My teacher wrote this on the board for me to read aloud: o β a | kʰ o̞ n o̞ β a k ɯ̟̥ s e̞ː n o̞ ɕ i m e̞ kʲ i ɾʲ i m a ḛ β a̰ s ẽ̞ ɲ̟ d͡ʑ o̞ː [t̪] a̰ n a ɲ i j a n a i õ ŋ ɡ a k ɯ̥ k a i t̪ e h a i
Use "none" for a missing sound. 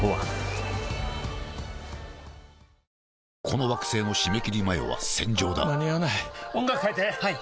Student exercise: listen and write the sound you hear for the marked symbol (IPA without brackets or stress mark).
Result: d̪